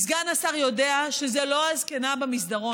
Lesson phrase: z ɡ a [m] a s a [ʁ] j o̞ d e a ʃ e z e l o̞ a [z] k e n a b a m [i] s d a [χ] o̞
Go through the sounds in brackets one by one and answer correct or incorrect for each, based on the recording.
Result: incorrect, correct, correct, correct, incorrect

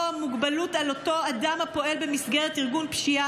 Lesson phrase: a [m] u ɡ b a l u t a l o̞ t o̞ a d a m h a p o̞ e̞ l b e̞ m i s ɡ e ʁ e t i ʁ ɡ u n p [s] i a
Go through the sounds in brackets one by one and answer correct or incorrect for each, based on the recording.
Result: correct, incorrect

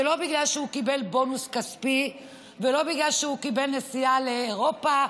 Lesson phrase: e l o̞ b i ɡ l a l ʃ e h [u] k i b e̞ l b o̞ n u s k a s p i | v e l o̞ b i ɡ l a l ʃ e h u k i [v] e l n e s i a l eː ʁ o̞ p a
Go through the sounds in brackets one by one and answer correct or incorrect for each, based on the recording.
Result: correct, incorrect

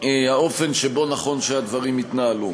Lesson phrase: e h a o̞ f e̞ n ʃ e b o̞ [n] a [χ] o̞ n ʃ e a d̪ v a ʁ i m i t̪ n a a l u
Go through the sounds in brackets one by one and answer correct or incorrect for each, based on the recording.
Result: correct, correct

